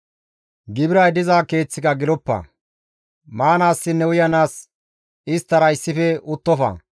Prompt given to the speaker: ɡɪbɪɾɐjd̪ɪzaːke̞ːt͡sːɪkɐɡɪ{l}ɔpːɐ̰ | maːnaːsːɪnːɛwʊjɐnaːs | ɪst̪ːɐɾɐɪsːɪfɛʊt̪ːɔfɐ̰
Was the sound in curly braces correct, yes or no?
yes